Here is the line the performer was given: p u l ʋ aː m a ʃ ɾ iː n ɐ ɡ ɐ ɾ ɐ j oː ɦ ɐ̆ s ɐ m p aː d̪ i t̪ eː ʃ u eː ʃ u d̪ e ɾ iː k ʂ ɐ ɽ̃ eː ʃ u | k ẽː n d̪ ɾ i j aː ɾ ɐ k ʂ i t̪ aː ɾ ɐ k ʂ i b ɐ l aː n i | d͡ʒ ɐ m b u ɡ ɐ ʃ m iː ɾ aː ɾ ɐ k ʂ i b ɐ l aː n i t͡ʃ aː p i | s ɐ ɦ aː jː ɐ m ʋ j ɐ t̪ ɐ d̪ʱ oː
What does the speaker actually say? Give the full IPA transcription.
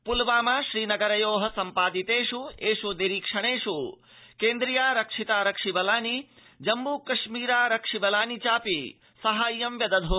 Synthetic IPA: p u l ʋ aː m a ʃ ɾ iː n ɐ ɡ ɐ ɾ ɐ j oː ɦ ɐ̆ s ɐ m p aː d̪ i t̪ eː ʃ u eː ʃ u d̪ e ɾ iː k ʂ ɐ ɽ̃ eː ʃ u | k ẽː n d̪ ɾ i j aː ɾ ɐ k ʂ i t̪ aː ɾ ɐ k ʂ i b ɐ l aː n i | d͡ʒ ɐ m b u k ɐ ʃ m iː ɾ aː ɾ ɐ k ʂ i b ɐ l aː n i t͡ʃ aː p i | s ɐ ɦ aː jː ɐ m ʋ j ɐ d̪ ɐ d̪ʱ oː